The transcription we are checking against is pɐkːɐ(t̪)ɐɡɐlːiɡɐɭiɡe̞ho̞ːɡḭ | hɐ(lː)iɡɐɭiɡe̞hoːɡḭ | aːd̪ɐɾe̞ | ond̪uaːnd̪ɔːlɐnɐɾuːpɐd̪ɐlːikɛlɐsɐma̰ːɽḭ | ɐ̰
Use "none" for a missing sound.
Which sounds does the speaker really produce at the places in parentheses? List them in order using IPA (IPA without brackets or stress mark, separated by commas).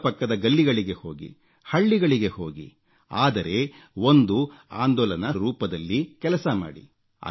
d̪, ɭː